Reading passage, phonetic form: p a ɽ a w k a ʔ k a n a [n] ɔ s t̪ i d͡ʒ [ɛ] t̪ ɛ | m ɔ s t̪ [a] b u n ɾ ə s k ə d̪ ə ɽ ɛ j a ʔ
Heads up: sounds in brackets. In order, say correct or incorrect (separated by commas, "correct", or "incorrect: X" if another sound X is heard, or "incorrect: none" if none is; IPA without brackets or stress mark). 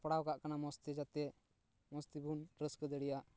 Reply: incorrect: m, incorrect: a, incorrect: i